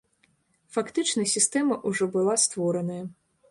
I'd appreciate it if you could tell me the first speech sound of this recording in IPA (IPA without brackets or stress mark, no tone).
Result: f